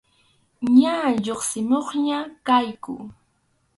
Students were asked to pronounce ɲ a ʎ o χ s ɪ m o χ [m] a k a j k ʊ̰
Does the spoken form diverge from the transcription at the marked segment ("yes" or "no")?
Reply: yes